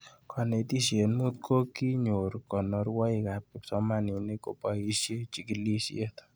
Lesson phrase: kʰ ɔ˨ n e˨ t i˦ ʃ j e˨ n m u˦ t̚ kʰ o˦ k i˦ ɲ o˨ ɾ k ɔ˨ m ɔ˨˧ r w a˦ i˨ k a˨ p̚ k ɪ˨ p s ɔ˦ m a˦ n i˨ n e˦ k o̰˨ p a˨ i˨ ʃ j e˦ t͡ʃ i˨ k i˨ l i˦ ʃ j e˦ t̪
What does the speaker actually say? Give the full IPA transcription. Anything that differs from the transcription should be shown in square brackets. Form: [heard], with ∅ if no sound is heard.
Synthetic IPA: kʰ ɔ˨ n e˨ t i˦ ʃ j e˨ n m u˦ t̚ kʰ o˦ k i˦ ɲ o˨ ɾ k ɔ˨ [n] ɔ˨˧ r w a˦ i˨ k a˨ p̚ k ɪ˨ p s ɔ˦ m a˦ n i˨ n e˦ k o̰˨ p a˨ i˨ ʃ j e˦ t͡ʃ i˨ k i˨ l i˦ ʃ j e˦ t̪